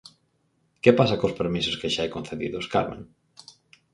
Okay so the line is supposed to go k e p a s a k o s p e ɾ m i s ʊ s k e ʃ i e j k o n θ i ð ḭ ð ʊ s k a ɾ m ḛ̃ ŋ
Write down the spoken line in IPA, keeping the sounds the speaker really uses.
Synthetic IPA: k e p a s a k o s p e ɾ m i s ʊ s k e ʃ a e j k o n θ e ð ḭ ð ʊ s k a ɾ m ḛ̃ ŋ